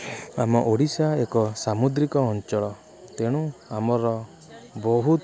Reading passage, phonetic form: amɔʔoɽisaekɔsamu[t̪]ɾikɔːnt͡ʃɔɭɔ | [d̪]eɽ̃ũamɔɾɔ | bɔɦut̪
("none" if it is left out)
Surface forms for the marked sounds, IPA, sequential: d̪, t̪

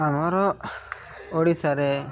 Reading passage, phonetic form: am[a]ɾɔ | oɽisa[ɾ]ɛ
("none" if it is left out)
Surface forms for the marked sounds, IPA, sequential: a, ɾ

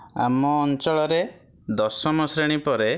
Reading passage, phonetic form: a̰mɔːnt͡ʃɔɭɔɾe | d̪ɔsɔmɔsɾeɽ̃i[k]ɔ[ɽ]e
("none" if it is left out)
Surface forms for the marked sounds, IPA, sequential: p, ɾ

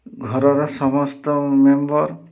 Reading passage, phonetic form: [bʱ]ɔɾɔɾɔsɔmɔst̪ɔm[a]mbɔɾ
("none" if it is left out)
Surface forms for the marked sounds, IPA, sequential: ɡʱ, e

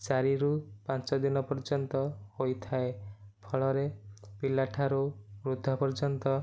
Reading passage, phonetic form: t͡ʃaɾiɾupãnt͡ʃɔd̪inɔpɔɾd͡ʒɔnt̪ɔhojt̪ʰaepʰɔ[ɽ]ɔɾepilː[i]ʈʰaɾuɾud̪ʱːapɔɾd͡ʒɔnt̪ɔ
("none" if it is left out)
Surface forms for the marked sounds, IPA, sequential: ɭ, a

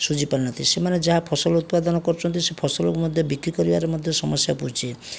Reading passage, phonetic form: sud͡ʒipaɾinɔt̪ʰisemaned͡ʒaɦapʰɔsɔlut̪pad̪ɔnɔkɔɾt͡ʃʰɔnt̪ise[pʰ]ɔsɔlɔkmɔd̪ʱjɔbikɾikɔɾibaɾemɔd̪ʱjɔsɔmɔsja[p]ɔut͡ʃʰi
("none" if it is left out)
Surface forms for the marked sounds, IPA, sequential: pʰ, p

